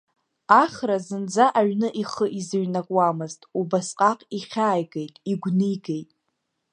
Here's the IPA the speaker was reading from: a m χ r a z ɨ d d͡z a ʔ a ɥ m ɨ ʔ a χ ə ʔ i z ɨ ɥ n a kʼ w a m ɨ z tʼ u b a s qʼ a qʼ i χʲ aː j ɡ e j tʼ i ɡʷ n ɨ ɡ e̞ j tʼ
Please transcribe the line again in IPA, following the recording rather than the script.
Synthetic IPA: a χ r a z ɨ n d͡z a ʔ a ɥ n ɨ ʔ i χ ə ʔ i z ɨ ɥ n a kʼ w a m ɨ z tʼ u b a s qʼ a qʼ i χʲ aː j ɡ e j tʼ i ɡʷ n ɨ ɡ e̞ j tʼ